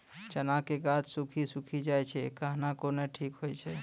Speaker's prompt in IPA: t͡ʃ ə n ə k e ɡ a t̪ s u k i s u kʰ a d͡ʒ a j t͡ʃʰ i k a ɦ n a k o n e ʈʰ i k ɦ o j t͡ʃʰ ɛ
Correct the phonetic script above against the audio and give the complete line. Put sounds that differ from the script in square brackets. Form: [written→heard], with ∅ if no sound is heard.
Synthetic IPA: t͡ʃ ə n [ə→a] k e ɡ a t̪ s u [k→kʰ] i s u kʰ [a→i] d͡ʒ a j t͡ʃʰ [i→ɛ] k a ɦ n a k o n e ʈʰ i k ɦ o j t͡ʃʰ ɛ